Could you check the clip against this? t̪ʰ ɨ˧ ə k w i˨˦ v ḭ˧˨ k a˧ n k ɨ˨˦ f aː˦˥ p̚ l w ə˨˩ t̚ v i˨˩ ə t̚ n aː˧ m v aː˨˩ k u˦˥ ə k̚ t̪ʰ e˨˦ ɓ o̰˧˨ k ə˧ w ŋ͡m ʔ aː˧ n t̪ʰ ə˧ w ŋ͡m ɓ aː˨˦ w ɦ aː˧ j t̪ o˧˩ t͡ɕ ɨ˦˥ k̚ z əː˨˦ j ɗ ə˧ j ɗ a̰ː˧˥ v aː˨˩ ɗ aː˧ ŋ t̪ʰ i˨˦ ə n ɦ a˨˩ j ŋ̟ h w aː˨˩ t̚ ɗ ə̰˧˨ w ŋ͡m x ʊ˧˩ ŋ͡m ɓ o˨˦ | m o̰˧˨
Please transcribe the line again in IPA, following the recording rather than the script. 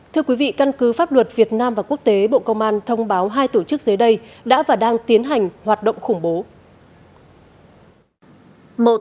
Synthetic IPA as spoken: t̪ʰ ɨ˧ ə k w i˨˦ v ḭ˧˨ k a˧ n k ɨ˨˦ f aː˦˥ p̚ l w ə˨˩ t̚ v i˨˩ ə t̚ n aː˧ m v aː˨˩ k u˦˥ ə k̚ t̪ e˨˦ ɓ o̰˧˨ k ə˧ w ŋ͡m ʔ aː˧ n t̪ʰ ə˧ w ŋ͡m ɓ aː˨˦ w ɦ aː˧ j t̪ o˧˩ t͡ɕ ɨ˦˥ k̚ z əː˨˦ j ɗ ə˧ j ɗ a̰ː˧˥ v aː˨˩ ɗ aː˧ ŋ t̪ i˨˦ ə n ɦ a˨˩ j ŋ̟ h w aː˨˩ t̚ ɗ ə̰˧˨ w ŋ͡m x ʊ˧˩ ŋ͡m ɓ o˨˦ | m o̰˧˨

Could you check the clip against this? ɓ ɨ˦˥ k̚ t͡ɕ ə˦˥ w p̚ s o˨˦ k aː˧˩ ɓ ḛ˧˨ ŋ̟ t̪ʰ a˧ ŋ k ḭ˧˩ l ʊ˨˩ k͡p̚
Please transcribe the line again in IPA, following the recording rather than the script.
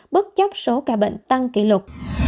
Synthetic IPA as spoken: ɓ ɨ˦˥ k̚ t͡ɕ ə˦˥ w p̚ s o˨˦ k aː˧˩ ɓ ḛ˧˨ ŋ̟ t̪ a˧ ŋ k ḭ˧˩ l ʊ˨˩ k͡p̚

